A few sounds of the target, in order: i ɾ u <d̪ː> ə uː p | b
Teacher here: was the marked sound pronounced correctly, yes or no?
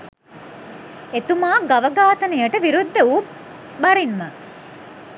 yes